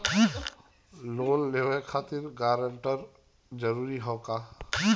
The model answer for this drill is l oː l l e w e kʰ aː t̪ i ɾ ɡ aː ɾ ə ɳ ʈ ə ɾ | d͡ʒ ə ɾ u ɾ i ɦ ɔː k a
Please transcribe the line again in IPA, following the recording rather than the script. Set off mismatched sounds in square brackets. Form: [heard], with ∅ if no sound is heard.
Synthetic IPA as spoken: l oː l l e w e kʰ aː t̪ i ɾ ɡ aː ɾ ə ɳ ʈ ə ɾ | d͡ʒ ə ɾ u ɾ i ɦ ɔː k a